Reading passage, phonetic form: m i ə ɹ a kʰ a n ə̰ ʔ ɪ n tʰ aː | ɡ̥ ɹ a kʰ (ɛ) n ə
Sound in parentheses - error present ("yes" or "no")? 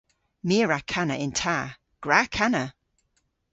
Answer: yes